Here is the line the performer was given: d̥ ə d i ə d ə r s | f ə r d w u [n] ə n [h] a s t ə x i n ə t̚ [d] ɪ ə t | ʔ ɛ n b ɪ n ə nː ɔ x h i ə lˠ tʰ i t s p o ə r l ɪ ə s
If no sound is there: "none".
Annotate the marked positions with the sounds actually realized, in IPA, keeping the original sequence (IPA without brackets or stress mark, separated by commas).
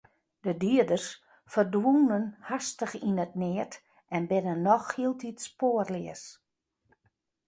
n, h, n